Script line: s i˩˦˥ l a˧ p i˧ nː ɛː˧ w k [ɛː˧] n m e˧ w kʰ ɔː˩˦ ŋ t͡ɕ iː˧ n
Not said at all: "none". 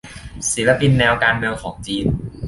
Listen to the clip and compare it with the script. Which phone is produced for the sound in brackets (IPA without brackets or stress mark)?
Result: aː˧